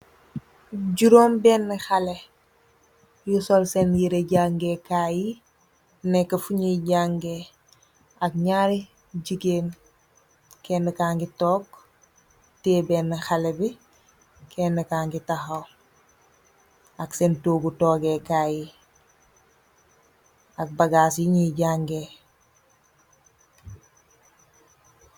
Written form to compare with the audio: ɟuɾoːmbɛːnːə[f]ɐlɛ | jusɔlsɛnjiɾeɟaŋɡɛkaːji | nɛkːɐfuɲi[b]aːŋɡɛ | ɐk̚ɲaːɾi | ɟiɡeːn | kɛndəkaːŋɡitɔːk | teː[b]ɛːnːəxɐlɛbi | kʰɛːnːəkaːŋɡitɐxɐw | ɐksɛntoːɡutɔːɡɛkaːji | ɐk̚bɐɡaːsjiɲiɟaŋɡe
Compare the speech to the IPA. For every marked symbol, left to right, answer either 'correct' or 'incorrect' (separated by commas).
incorrect, incorrect, correct